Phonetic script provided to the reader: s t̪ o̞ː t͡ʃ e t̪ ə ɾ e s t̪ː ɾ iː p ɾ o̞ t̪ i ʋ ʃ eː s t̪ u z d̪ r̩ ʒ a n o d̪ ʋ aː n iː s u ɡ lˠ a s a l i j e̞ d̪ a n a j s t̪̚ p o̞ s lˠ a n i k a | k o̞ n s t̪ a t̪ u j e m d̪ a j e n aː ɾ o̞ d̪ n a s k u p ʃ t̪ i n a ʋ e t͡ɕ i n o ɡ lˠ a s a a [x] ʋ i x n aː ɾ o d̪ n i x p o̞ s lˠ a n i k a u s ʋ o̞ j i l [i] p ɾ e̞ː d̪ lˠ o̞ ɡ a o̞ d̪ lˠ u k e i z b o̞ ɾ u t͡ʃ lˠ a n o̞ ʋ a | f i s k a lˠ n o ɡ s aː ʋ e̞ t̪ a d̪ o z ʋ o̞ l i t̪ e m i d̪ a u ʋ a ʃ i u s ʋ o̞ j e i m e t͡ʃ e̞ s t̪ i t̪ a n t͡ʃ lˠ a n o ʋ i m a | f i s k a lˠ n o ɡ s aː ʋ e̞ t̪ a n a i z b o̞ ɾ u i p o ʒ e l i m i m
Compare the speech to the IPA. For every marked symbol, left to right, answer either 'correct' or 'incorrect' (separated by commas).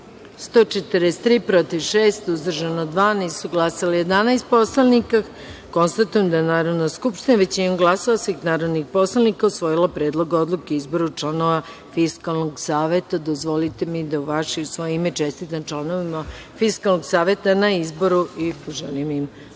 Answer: incorrect, incorrect